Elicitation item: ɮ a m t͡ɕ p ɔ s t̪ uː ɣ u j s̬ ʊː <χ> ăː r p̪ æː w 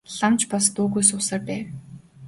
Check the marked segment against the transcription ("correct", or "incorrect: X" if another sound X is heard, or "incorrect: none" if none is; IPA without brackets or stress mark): incorrect: s